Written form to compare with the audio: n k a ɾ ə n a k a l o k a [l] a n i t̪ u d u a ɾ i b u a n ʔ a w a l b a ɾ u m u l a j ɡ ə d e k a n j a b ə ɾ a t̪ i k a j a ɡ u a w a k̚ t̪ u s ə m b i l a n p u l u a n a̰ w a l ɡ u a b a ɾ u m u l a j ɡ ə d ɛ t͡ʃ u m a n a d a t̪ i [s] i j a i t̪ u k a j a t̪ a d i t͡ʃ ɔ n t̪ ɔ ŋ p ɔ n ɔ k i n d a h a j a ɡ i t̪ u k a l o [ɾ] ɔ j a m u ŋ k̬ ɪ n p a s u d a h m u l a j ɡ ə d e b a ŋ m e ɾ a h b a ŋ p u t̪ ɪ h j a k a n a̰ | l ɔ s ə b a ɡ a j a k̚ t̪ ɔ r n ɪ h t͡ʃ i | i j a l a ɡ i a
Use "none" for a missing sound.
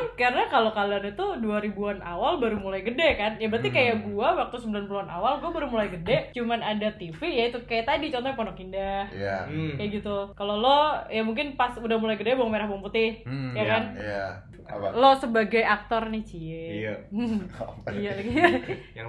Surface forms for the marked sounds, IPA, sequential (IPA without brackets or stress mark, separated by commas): l, f, l